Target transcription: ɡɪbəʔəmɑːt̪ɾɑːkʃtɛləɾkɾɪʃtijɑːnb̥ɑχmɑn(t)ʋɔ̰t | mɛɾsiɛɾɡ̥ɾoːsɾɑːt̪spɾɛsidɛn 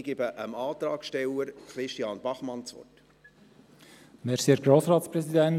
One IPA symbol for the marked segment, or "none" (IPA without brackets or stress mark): t͡s